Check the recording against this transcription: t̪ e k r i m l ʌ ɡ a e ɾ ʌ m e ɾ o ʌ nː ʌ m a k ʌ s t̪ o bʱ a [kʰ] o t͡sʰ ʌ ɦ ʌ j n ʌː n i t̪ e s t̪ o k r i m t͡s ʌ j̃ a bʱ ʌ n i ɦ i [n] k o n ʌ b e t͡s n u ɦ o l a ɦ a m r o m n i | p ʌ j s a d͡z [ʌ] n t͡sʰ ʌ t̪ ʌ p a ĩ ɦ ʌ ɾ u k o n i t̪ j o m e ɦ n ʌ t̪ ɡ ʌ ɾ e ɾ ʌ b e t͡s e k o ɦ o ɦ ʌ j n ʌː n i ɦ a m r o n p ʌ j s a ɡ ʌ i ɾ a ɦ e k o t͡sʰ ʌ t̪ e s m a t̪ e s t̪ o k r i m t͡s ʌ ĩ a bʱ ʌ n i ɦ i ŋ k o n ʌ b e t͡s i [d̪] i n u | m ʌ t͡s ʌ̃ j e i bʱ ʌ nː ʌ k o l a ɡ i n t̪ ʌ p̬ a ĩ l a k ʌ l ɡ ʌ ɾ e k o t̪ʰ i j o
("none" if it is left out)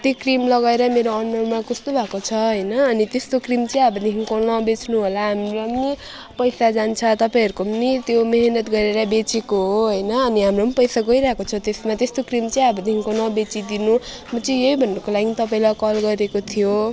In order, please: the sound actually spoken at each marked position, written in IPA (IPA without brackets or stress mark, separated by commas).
k, ŋ, a, d̪